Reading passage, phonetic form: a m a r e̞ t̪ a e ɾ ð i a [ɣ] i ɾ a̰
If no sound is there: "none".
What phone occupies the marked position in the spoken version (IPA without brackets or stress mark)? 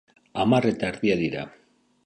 ð